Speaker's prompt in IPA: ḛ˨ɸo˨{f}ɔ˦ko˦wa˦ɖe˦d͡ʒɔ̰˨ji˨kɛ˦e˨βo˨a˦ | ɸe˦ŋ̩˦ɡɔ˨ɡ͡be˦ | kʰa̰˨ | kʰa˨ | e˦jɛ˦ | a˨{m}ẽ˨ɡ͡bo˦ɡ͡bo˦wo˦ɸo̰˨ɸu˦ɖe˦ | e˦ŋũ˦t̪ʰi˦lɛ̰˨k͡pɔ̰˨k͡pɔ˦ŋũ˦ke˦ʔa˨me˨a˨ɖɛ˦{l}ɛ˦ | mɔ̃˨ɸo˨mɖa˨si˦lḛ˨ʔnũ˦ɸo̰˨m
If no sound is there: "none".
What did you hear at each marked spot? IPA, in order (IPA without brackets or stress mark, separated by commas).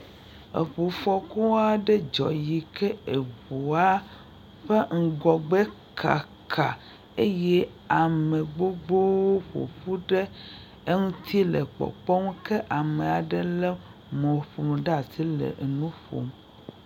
f, m, l